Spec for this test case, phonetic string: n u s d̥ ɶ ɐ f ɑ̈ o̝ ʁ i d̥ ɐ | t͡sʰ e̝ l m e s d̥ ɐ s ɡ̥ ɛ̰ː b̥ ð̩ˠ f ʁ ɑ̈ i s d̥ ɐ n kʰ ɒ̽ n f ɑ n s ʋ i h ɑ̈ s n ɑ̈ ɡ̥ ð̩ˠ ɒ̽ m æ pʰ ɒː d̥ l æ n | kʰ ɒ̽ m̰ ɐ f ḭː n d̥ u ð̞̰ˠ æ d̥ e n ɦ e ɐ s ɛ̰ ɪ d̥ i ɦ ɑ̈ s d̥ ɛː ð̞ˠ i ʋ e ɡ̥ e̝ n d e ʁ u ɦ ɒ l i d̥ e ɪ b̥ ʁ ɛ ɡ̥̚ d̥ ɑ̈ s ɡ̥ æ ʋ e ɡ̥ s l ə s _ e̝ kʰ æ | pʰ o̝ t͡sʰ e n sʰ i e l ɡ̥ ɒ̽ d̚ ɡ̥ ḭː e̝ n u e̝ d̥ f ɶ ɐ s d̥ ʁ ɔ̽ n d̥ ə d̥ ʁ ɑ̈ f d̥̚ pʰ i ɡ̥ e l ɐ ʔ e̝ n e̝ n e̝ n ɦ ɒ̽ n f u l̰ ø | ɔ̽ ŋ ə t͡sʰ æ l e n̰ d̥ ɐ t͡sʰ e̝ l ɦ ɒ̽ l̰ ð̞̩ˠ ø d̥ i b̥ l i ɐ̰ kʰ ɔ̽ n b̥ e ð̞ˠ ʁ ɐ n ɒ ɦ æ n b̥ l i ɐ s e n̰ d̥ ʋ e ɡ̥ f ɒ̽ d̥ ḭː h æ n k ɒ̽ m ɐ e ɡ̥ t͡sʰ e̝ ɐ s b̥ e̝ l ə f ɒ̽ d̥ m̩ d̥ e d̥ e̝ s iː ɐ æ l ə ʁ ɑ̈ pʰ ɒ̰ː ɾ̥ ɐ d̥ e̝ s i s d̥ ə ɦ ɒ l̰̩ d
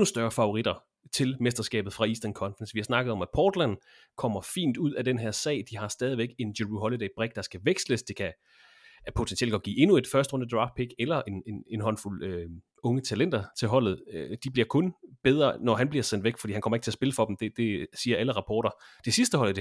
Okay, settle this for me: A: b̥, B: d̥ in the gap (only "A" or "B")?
B